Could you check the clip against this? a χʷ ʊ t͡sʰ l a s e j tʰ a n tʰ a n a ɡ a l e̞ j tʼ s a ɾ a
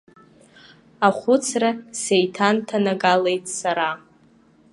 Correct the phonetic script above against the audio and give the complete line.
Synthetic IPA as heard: a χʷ ʊ t͡sʰ r a s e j tʰ a n tʰ a n a ɡ a l e̞ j tʼ s a ɾ a